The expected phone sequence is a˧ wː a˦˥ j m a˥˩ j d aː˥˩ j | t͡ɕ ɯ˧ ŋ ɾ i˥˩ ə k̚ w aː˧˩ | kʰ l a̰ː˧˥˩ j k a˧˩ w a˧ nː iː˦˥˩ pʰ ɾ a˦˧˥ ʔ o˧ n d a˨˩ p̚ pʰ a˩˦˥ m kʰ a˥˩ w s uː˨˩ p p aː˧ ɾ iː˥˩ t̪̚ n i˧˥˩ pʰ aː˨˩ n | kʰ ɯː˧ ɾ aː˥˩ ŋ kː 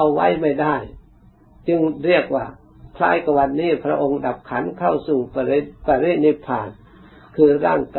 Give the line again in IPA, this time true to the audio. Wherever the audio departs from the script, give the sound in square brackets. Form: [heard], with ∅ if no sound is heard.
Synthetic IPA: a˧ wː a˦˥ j m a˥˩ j d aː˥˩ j | t͡ɕ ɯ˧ ŋ ɾ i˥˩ ə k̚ w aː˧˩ | kʰ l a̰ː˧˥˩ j k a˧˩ w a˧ nː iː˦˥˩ pʰ ɾ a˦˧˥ ʔ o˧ [ŋ] d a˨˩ p̚ [kʰ] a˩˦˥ [n] kʰ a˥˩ w s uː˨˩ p p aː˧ ɾ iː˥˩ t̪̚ n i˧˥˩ pʰ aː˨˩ n | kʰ ɯː˧ ɾ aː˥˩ ŋ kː